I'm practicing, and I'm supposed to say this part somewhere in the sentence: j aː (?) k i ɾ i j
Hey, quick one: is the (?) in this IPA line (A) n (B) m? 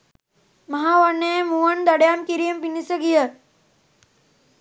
B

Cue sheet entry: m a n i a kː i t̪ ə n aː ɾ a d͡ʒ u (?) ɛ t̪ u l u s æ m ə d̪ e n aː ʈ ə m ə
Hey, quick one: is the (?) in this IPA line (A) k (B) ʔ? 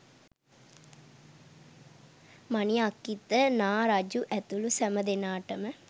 B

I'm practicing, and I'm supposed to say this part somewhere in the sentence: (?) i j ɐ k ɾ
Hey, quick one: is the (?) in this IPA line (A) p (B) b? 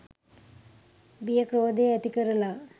B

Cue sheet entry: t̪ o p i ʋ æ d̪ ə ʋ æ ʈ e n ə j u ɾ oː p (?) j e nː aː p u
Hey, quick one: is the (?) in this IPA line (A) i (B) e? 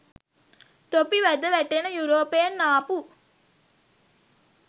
B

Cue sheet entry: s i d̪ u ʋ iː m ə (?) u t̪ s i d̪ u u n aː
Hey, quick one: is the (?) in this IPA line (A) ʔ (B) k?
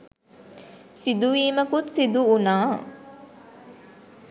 B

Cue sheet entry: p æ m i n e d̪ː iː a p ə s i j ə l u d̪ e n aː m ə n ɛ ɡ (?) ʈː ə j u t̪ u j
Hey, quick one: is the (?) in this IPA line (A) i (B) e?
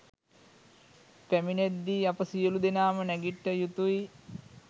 A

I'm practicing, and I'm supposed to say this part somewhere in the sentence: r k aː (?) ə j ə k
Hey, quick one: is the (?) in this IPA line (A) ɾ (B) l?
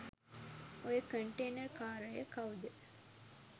A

